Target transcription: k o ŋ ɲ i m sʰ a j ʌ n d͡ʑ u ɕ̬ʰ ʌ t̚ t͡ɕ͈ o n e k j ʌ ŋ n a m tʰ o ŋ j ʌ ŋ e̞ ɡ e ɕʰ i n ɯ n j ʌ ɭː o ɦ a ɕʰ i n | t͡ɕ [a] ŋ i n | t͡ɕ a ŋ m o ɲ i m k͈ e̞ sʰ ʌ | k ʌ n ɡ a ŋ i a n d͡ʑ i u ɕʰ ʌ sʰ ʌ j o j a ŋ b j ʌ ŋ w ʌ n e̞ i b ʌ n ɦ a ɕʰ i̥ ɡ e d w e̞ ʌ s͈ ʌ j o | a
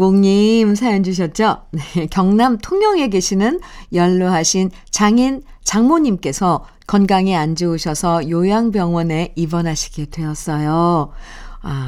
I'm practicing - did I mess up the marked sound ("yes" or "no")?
no